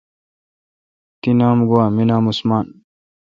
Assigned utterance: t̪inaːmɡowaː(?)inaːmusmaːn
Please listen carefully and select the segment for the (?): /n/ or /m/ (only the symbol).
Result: m